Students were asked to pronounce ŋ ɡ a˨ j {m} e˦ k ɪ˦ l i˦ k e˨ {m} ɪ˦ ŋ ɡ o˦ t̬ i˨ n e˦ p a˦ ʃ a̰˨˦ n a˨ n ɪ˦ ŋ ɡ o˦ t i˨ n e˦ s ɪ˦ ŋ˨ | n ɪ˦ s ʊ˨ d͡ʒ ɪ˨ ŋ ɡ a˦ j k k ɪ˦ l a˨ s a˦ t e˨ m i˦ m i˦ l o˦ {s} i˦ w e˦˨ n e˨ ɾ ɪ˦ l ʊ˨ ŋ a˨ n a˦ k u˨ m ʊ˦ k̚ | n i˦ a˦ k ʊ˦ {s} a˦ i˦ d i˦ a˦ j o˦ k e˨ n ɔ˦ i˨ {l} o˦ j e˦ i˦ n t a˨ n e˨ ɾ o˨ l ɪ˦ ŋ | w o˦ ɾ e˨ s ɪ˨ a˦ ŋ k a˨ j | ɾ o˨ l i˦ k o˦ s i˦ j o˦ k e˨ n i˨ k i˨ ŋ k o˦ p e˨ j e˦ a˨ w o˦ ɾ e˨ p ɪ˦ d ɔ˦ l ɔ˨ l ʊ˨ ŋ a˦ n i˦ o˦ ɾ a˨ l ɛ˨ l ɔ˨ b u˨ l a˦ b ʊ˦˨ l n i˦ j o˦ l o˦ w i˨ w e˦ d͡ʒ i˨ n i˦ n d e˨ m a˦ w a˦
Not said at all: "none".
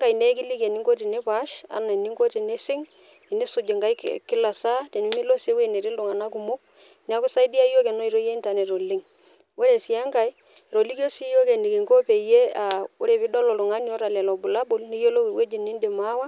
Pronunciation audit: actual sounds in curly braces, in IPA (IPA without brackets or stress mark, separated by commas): n, n, s, s, ɾ